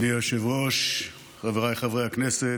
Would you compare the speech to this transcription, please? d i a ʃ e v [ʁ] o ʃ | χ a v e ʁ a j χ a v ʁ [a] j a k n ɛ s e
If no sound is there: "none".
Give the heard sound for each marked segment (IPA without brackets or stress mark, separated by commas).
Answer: ʁ, e